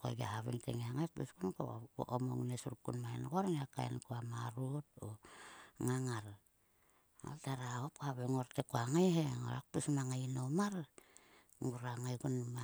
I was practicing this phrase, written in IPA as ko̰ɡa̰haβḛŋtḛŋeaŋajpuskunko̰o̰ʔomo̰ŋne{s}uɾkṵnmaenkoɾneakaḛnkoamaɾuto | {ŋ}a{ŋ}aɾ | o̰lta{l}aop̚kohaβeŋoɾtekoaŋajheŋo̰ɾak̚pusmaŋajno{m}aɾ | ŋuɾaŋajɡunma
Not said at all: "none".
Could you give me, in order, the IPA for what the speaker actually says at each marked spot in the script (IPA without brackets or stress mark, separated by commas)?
s, ŋ, ŋ, ɾ, m